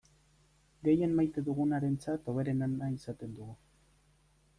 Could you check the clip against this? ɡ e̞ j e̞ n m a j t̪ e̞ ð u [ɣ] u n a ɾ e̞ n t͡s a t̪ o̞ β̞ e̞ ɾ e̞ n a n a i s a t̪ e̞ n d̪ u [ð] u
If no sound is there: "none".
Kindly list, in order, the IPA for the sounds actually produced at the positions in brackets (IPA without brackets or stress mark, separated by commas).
ɣ, ɣ